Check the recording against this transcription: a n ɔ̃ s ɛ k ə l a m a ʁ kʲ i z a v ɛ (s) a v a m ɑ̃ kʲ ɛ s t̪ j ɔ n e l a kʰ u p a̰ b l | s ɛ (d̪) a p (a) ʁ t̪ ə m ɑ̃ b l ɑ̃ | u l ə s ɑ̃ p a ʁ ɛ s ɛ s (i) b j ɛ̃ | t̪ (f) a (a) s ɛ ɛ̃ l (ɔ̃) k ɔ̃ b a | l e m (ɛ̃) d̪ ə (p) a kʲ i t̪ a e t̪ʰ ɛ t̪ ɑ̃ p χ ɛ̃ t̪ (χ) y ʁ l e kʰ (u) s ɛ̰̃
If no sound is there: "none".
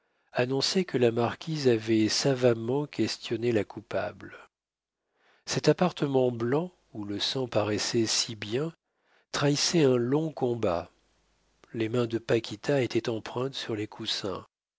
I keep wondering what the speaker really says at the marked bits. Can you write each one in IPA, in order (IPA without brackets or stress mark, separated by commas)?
s, t̪, a, i, χ, i, ɔ̃, ɛ̃, p, s, u